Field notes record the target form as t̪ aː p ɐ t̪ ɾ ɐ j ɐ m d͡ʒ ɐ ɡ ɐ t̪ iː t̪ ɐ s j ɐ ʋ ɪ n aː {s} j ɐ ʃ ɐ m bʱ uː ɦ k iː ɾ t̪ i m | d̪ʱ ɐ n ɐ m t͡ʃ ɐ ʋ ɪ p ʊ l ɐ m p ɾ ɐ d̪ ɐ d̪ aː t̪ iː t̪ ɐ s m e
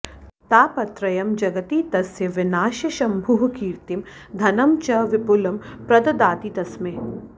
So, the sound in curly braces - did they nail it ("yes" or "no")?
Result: no